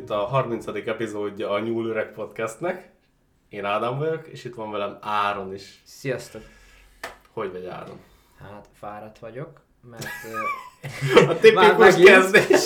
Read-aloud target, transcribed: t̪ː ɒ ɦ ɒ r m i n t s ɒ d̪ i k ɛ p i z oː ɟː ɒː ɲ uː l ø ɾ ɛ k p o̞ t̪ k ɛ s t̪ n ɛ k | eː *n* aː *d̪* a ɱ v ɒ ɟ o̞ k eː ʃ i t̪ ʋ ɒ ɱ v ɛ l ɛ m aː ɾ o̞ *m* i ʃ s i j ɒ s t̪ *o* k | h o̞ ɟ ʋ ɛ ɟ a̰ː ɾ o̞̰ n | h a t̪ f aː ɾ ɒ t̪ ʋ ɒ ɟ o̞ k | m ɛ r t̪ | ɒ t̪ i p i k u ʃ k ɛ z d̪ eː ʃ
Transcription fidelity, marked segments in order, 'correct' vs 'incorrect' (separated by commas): correct, correct, incorrect, correct